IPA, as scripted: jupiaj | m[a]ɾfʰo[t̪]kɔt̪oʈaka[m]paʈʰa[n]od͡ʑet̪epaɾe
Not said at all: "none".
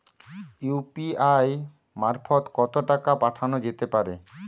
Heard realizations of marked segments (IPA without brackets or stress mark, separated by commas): a, t̪, none, n